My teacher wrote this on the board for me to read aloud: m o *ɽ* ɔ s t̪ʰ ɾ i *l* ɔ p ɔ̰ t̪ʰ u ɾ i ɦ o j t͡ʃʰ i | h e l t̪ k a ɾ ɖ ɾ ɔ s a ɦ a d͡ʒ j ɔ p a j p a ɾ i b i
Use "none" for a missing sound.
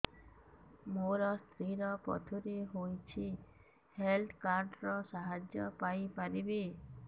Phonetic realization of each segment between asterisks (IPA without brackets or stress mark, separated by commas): ɾ, ɾ